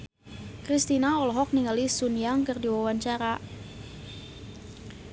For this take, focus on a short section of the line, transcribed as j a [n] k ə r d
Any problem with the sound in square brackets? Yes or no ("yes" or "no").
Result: yes